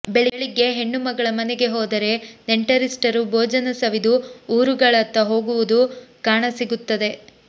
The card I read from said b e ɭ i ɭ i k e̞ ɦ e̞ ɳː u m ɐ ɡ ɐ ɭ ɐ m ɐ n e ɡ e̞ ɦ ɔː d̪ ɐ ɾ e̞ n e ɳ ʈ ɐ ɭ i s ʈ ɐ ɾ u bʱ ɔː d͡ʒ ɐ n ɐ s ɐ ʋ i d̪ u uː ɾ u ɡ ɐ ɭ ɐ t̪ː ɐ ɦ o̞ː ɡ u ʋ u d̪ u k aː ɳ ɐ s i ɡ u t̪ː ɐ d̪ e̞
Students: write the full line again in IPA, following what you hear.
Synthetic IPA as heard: b e ɭ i ɭ i ɡ e̞ ɦ e̞ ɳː u m ɐ ɡ ɐ ɭ ɐ m ɐ n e ɡ e̞ ɦ ɔː d̪ ɐ ɾ e̞ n e ɳ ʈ ɐ ɾ i s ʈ ɐ ɾ u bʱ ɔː d͡ʒ ɐ n ɐ s ɐ ʋ i d̪ u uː ɾ u ɡ ɐ ɭ ɐ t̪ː ɐ ɦ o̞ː ɡ u ʋ u d̪ u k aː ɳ ɐ s i ɡ u t̪ː ɐ d̪ e̞

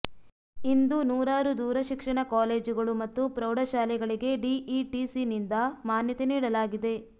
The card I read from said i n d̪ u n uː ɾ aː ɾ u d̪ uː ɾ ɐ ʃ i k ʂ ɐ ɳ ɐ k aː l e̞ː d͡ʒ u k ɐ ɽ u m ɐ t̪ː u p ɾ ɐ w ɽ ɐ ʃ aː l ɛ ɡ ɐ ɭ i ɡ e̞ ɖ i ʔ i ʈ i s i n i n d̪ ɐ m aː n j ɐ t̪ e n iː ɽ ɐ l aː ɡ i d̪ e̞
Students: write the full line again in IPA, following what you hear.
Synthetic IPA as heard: i n d̪ u n uː ɾ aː ɾ u d̪ uː ɾ ɐ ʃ i k ʂ ɐ ɳ ɐ k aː l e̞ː d͡ʒ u ɡ ɐ ɭ u m ɐ t̪ː u p ɾ ɐ w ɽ ɐ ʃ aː l ɛ ɡ ɐ ɭ i ɡ e̞ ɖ i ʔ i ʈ i s i n i n d̪ ɐ m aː n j ɐ t̪ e n iː ɽ ɐ l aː ɡ i d̪ e̞

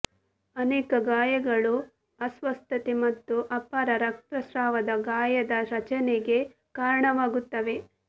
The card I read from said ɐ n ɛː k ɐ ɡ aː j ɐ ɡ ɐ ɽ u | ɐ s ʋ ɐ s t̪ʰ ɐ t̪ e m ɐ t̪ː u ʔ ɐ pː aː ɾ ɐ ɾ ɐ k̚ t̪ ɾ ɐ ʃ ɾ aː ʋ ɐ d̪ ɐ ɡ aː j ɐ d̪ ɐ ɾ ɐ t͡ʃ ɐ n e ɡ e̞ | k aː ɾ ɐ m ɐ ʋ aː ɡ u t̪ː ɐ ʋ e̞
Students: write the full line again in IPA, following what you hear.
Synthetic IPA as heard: ɐ n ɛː k ɐ ɡ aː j ɐ ɡ ɐ ɭ u | ɐ s ʋ ɐ s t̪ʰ ɐ t̪ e m ɐ t̪ː u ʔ ɐ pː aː ɾ ɐ ɾ ɐ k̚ t̪ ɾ ɐ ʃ ɾ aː ʋ ɐ d̪ ɐ ɡ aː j ɐ d̪ ɐ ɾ ɐ t͡ʃ ɐ n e ɡ e̞ | k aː ɾ ɐ ɳ ɐ ʋ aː ɡ u t̪ː ɐ ʋ e̞

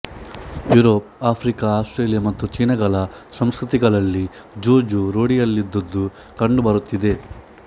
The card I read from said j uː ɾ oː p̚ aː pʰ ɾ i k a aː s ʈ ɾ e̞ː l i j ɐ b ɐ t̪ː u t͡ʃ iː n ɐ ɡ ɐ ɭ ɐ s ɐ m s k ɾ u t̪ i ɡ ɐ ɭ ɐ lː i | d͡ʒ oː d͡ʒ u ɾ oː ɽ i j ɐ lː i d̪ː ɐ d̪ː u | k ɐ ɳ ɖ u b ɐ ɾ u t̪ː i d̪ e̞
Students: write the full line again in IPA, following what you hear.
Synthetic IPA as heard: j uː ɾ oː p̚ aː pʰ ɾ i k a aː s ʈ ɾ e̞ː l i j ɐ m ɐ t̪ː u t͡ʃ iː n ɐ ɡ ɐ ɭ ɐ s ɐ m s k ɾ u t̪ i ɡ ɐ ɭ ɐ lː i | d͡ʒ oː d͡ʒ u ɾ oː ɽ i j ɐ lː i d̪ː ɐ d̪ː u | k ɐ ɳ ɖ u b ɐ ɾ u t̪ː i d̪ e̞

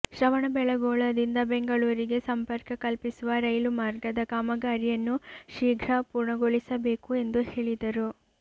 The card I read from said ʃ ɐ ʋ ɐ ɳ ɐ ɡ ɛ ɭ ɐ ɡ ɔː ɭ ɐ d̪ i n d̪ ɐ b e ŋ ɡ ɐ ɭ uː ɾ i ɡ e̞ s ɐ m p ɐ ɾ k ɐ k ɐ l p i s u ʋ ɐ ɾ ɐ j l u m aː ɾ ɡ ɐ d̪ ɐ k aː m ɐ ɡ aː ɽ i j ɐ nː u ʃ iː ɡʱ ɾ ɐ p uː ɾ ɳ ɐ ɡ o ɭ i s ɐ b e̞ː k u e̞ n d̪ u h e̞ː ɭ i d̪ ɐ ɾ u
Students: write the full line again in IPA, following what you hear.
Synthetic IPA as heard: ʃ ɐ ʋ ɐ ɳ ɐ b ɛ ɭ ɐ ɡ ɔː ɭ ɐ d̪ i n d̪ ɐ b e ŋ ɡ ɐ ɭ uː ɾ i ɡ e̞ s ɐ m p ɐ ɾ k ɐ k ɐ l p i s u ʋ ɐ ɾ ɐ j l u m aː ɾ ɡ ɐ d̪ ɐ k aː m ɐ ɡ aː ɾ i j ɐ nː u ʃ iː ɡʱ ɾ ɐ p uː ɾ ɳ ɐ ɡ o ɭ i s ɐ b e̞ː k u e̞ n d̪ u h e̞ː ɭ i d̪ ɐ ɾ u

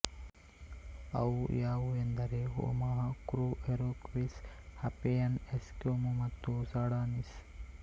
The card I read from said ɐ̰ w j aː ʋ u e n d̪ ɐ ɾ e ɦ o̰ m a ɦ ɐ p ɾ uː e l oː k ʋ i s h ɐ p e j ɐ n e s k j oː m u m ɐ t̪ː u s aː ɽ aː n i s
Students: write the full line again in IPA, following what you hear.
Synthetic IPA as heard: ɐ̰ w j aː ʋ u e n d̪ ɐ ɾ e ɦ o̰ m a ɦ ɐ k ɾ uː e ɾ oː k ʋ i s h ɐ p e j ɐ n e s k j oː m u m ɐ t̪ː u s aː ɽ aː n i s

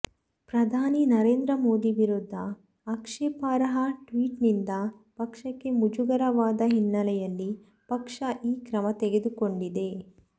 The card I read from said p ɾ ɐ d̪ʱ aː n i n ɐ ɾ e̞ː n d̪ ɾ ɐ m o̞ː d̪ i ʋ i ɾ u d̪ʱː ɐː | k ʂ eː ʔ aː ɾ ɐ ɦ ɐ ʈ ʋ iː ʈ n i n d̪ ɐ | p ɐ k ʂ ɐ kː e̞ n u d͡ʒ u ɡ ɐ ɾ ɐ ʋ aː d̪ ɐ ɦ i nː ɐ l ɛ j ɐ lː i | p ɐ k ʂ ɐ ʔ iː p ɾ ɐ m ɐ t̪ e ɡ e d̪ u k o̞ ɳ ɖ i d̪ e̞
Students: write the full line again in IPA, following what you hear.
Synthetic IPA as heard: p ɾ ɐ d̪ʱ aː n i n ɐ ɾ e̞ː n d̪ ɾ ɐ m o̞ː d̪ i ʋ i ɾ u d̪ʱː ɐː | k ʂ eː p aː ɾ ɐ ɦ ɐ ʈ ʋ iː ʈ n i n d̪ ɐ | p ɐ k ʂ ɐ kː e̞ m u d͡ʒ u ɡ ɐ ɾ ɐ ʋ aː d̪ ɐ ɦ i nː ɐ l ɛ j ɐ lː i | p ɐ k ʂ ɐ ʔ iː k ɾ ɐ m ɐ t̪ e ɡ e d̪ u k o̞ ɳ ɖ i d̪ e̞

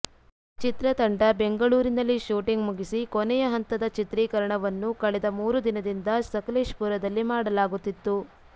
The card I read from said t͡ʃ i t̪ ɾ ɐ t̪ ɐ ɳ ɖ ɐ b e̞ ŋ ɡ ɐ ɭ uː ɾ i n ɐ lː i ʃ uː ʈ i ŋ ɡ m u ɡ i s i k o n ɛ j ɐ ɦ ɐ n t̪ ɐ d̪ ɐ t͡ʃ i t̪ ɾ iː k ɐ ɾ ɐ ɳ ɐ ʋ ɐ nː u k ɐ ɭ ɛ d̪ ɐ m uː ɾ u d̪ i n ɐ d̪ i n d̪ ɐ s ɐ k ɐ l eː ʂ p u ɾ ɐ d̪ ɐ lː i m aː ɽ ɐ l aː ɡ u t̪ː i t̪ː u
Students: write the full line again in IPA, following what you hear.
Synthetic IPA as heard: t͡ʃ i t̪ ɾ ɐ t̪ ɐ ɳ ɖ ɐ b e̞ ŋ ɡ ɐ ɭ uː ɾ i n ɐ lː i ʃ uː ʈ i ŋ ɡ m u ɡ i s i k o n ɛ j ɐ ɦ ɐ n t̪ ɐ d̪ ɐ t͡ʃ i t̪ ɾ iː k ɐ ɾ ɐ ɳ ɐ ʋ ɐ nː u k ɐ ɭ ɛ d̪ ɐ m uː ɾ u d̪ i n ɐ d̪ i n d̪ ɐ s ɐ k ɐ l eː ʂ p u ɾ ɐ d̪ ɐ lː i m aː ɽ ɐ l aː ɡ u t̪ː i t̪ː u

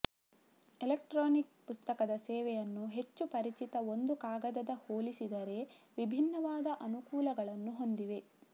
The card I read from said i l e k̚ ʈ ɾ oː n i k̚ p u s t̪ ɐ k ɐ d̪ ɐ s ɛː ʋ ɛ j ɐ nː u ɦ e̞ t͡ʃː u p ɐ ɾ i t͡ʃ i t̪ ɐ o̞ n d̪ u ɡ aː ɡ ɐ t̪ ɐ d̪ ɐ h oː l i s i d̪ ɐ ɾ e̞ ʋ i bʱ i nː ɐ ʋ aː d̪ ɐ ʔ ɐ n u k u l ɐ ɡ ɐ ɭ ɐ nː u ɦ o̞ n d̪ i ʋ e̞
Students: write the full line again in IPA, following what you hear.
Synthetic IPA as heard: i l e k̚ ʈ ɾ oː n i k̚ p u s t̪ ɐ k ɐ d̪ ɐ s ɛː ʋ ɛ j ɐ nː u ɦ e̞ t͡ʃː u p ɐ ɾ i t͡ʃ i t̪ ɐ o̞ n d̪ u k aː ɡ ɐ d̪ ɐ d̪ ɐ h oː l i s i d̪ ɐ ɾ e̞ ʋ i bʱ i nː ɐ ʋ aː d̪ ɐ ʔ ɐ n u k uː l ɐ ɡ ɐ ɭ ɐ nː u ɦ o̞ n d̪ i ʋ e̞

